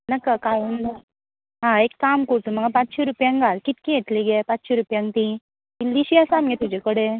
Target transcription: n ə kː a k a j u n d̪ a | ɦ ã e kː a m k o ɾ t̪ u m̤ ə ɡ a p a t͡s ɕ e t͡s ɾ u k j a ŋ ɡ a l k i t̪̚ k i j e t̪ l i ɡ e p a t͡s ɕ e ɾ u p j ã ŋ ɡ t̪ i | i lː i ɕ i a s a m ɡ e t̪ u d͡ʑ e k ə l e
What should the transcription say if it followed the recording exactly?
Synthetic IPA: n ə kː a k a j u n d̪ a | ɦ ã e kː a m k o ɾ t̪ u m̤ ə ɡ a p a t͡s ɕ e ɾ u p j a ŋ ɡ a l k i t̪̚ k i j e t̪ l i ɡ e p a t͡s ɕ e ɾ u p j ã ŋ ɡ t̪ i | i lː i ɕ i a s a m ɡ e t̪ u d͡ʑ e k ə ɽ e